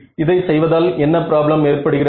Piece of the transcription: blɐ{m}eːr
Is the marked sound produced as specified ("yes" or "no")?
yes